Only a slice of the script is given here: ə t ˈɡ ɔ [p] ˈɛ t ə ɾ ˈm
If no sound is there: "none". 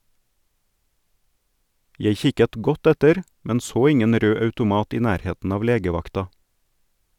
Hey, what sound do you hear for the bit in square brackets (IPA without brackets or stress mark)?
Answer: t